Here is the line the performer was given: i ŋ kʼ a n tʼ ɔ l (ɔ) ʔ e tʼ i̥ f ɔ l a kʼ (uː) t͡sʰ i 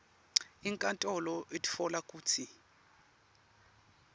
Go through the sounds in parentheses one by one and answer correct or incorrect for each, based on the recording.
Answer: correct, correct

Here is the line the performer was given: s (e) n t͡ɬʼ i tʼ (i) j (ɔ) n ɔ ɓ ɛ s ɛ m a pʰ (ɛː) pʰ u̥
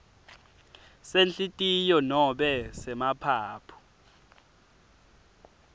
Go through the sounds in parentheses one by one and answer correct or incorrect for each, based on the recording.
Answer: correct, correct, correct, incorrect: aː

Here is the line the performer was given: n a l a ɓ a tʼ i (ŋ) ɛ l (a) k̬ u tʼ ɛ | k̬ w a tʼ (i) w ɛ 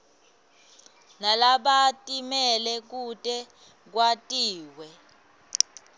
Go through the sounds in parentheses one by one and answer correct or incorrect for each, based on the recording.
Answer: incorrect: m, incorrect: ɛ, incorrect: iː

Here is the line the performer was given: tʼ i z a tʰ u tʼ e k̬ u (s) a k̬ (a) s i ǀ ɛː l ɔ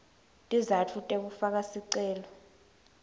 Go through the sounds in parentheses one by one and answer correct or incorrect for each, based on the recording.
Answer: incorrect: f, correct

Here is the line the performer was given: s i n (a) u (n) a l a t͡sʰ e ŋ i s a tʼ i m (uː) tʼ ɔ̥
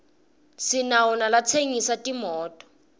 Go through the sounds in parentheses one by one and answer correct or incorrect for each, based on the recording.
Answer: correct, correct, incorrect: ɔː

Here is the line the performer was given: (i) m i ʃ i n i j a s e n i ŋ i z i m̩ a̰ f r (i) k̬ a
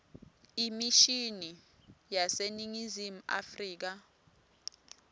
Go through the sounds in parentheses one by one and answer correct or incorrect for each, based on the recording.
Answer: correct, incorrect: iː

